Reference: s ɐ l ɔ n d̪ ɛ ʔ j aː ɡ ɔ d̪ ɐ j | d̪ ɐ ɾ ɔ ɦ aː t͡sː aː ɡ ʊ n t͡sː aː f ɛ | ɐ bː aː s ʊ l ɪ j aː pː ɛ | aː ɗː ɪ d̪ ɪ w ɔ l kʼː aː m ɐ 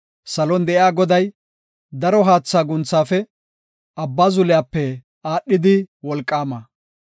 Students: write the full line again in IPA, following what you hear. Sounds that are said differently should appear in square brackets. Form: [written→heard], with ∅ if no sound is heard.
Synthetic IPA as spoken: s ɐ l ɔ n d̪ ɛ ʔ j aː ɡ ɔ d̪ ɐ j | d̪ ɐ ɾ ɔ ɦ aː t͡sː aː ɡ ʊ n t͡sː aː f ɛ | ɐ bː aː [s→z] ʊ l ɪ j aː pː ɛ | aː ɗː ɪ d̪ ɪ w ɔ l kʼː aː m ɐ